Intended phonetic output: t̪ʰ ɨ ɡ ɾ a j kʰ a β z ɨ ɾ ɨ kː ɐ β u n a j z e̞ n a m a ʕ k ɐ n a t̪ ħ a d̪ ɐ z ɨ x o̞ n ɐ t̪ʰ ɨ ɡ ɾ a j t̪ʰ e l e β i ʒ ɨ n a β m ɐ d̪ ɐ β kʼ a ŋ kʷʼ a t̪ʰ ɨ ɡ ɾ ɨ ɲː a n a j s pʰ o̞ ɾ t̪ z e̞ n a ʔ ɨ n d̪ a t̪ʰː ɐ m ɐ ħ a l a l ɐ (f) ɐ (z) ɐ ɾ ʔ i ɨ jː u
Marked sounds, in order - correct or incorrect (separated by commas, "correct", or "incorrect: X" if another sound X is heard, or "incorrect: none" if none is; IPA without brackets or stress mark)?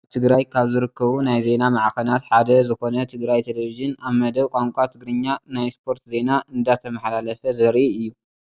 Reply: correct, correct